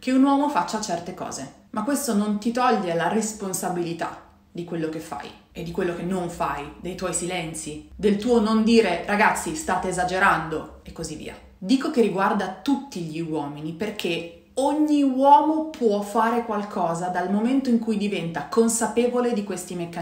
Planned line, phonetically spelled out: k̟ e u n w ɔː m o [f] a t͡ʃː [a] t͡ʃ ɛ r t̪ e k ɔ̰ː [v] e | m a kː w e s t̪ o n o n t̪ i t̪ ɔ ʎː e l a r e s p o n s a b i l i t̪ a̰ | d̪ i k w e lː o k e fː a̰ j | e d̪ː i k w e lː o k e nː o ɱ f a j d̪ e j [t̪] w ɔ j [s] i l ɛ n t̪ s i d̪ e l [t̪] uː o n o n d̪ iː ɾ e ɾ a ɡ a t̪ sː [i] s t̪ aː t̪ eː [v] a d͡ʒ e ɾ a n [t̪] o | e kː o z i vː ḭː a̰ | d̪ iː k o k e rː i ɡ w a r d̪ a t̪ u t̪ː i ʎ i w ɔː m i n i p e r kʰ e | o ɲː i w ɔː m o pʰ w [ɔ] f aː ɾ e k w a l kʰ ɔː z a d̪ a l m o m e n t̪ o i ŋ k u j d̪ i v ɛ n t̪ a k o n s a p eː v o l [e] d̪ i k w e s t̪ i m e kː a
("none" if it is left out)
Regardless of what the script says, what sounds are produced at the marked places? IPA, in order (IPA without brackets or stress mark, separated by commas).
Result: f, a, z, t̪, s, t̪, i, z, d̪, ɔ, e